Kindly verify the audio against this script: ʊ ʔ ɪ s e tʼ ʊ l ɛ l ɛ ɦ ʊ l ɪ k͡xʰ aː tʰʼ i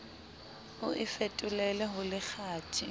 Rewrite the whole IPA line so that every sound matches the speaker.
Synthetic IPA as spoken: ʊ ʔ ɪ f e tʼ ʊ l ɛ l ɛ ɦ ʊ l ɪ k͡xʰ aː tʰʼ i